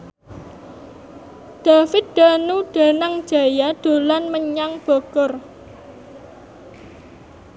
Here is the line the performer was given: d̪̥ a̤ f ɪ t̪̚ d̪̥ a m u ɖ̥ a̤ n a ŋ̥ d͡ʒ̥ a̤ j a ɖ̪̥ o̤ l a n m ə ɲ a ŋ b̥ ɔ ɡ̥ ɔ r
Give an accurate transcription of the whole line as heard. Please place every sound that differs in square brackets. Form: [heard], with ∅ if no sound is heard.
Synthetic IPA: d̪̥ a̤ f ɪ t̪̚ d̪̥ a [n] u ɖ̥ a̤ n a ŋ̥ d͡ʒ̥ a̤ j a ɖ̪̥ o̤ l a n m ə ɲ a ŋ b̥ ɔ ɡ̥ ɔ r